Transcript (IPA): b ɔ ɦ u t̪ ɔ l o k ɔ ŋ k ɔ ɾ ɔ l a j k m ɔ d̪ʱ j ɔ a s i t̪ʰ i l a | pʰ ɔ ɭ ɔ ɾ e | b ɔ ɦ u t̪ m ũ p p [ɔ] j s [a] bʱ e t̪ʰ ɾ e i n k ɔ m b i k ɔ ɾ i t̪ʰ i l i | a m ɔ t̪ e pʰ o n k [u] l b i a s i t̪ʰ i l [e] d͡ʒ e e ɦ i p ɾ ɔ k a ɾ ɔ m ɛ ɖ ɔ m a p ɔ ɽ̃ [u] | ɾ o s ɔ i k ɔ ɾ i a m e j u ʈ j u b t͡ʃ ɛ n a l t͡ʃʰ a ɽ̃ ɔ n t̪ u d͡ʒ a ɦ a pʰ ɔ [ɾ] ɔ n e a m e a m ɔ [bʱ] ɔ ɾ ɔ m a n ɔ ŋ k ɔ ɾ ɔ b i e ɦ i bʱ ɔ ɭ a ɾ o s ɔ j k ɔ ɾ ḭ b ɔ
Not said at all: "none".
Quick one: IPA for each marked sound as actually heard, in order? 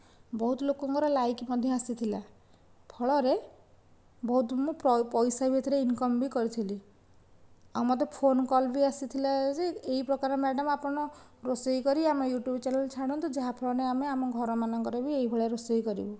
ɔ, a, ɔ, a, ɔ, ɭ, ɡʱ

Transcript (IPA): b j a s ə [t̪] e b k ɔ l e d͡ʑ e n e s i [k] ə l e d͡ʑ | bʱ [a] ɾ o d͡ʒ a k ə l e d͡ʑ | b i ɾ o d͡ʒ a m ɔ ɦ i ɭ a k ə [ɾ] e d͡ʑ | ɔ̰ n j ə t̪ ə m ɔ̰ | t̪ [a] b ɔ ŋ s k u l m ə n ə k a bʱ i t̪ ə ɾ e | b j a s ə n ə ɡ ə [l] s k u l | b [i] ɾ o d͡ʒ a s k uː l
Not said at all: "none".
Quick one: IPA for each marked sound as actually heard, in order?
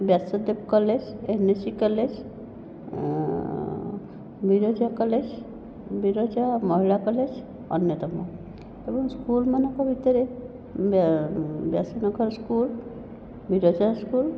d̪, k, i, l, e, ɾ, i

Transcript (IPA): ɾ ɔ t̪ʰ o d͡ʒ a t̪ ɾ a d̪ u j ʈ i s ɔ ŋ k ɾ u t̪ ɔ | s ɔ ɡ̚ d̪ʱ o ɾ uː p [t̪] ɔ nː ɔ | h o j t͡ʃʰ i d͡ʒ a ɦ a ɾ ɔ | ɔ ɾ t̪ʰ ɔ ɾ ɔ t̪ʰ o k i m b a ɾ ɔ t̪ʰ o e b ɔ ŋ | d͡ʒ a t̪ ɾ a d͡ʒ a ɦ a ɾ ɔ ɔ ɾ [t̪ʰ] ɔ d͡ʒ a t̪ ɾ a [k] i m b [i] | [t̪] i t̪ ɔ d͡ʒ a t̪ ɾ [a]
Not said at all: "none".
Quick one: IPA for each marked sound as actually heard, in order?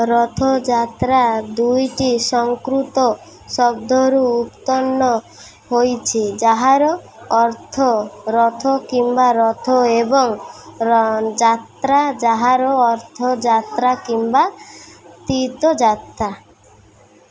t̪, t̪ʰ, k, a, t̪, a

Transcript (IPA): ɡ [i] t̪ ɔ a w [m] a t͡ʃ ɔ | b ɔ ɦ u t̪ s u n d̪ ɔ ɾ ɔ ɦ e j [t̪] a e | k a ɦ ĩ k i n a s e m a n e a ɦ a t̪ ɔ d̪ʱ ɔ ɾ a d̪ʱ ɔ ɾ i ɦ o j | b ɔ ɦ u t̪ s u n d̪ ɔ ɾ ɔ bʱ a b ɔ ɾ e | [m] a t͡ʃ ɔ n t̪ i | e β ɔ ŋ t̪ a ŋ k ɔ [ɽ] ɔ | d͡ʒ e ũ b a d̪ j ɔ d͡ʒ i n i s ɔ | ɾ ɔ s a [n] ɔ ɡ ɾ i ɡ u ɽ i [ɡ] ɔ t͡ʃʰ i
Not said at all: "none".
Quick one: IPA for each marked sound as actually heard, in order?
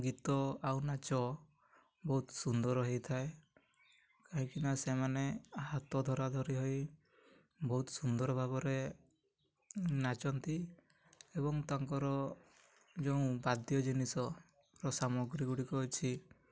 i, n, t̪ʰ, n, ɾ, m, k

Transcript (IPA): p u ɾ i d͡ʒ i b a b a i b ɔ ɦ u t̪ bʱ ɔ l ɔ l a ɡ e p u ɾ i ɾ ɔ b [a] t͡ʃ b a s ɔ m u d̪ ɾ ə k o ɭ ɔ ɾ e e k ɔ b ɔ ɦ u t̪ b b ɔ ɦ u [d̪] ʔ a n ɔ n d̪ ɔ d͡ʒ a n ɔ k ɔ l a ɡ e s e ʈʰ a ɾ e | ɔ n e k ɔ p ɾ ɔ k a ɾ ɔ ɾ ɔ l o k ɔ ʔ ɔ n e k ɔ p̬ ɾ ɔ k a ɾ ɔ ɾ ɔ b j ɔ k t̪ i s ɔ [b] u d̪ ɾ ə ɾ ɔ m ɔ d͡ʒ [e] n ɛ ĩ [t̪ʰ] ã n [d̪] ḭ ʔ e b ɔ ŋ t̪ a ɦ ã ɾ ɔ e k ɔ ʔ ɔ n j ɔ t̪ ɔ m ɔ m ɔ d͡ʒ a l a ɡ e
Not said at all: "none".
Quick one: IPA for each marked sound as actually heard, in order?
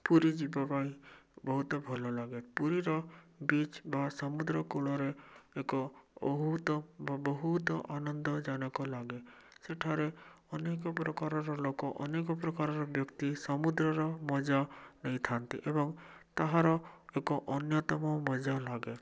i, t̪, m, a, t̪ʰ, t̪

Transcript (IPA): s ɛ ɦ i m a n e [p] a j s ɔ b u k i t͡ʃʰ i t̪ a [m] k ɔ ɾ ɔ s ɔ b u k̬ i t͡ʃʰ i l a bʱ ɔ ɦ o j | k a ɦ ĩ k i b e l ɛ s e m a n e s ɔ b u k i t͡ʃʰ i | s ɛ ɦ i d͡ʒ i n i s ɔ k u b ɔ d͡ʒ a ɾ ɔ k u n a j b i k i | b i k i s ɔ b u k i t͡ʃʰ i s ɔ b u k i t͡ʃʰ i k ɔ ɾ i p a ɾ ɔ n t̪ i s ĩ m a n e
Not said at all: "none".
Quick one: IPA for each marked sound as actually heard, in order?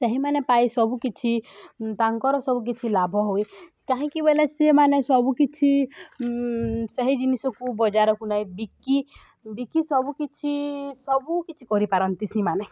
p, ŋ

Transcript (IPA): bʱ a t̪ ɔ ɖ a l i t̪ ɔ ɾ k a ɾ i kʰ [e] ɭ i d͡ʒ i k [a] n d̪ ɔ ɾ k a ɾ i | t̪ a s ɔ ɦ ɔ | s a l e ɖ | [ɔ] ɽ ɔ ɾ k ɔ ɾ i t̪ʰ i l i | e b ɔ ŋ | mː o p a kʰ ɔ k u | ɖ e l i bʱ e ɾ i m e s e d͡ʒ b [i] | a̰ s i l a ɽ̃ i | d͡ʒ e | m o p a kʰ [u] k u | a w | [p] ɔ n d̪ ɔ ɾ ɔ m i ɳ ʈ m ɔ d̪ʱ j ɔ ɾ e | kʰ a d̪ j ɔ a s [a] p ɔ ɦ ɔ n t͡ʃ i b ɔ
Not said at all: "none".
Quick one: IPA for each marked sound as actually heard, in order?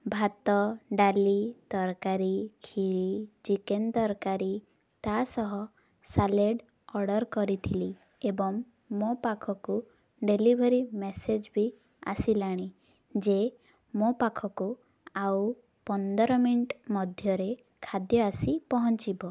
i, e, ɔ, i, ɔ, p, i

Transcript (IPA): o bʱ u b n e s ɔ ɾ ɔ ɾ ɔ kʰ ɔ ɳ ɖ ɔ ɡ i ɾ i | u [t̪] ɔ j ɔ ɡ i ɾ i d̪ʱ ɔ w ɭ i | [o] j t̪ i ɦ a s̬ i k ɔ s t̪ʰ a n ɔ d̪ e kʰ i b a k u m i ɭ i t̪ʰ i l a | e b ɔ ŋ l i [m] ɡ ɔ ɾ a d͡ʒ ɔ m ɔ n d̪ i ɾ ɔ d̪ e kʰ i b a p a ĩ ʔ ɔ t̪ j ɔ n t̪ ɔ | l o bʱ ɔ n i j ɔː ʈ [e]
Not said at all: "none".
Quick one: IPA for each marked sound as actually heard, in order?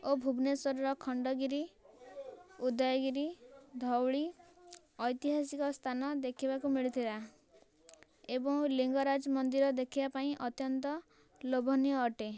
d̪, ɔ, ŋ, e

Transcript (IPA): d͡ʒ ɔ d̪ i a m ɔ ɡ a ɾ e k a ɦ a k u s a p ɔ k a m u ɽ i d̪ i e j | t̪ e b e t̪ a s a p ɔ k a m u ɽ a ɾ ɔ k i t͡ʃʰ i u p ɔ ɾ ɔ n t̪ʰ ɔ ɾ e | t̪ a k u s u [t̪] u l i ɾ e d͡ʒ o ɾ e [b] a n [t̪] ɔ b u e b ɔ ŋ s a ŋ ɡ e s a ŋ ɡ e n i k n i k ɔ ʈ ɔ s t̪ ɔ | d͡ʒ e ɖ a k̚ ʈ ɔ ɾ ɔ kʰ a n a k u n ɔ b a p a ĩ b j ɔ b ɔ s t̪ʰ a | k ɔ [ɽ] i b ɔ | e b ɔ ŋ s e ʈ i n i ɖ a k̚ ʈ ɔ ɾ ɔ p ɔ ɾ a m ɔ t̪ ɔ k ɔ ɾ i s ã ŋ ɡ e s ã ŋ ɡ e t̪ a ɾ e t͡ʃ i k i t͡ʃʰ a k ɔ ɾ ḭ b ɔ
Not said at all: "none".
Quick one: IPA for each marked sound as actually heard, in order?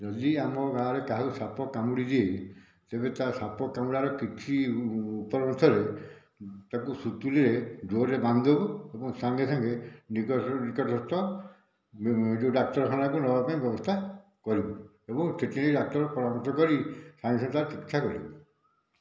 t̪, b, d̪, ɾ

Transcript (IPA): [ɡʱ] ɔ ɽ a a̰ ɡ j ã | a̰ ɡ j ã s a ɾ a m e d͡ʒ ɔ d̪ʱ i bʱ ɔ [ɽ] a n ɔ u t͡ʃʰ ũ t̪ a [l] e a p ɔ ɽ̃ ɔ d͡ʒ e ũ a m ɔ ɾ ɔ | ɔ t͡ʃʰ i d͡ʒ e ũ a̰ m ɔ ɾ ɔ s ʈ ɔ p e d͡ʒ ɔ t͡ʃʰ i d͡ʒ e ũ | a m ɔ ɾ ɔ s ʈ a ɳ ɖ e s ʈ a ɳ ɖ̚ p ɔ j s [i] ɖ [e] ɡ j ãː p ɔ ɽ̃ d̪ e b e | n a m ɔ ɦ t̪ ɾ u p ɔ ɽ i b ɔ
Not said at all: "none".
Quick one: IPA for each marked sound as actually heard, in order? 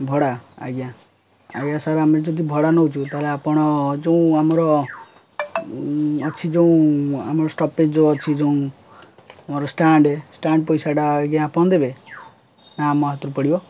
bʱ, ɽ, l, a, a

